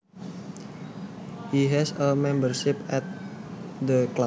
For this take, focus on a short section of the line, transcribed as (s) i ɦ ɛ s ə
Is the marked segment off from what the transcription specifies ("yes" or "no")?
yes